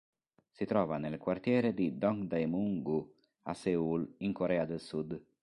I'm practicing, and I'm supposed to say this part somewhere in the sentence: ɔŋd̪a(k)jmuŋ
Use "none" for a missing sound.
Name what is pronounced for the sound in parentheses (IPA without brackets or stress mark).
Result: none